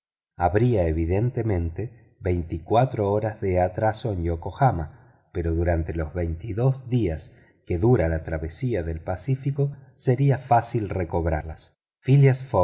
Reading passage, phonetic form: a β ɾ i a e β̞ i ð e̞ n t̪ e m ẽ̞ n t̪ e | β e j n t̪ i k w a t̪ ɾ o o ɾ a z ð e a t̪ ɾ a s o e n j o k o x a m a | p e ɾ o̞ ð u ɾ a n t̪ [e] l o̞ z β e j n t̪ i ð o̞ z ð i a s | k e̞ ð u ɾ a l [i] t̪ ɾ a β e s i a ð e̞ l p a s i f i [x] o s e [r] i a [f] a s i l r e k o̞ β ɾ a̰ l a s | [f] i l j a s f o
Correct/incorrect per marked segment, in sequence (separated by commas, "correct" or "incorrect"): correct, incorrect, incorrect, incorrect, correct, correct